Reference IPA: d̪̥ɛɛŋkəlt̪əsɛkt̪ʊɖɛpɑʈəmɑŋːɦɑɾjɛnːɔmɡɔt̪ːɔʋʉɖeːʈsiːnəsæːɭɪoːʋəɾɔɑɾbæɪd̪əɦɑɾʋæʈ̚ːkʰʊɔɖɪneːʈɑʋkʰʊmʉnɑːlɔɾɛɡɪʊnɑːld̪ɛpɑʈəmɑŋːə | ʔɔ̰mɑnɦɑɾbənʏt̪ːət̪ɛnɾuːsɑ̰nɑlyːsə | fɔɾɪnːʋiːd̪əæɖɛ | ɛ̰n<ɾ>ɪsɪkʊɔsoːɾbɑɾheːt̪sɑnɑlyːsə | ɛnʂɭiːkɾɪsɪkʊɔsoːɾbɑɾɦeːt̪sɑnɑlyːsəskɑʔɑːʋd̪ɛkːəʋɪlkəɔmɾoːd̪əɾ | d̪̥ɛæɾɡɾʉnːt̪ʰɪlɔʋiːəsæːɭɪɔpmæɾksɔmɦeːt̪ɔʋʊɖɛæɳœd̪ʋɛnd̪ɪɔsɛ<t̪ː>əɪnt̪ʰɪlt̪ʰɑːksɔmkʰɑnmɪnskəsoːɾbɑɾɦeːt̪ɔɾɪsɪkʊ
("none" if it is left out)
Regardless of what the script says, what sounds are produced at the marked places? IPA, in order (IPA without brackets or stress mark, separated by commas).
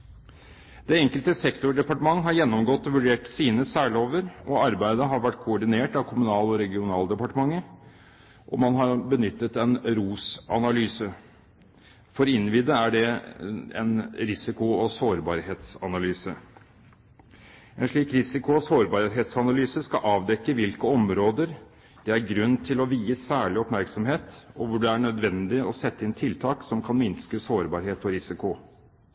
ɾ, t̪ː